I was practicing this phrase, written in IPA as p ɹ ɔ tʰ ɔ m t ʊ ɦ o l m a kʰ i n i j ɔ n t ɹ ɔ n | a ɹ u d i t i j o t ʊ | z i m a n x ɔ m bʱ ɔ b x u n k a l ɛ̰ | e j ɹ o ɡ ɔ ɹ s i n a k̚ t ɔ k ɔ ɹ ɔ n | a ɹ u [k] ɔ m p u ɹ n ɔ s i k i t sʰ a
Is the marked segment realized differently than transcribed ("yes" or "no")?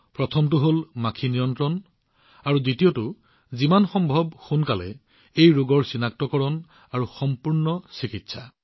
yes